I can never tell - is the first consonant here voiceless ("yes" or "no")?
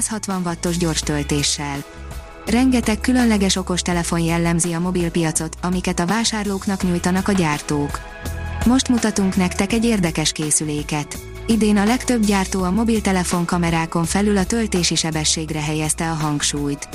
yes